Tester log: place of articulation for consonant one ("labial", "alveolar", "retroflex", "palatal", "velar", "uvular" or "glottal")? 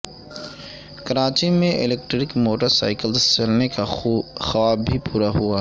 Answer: velar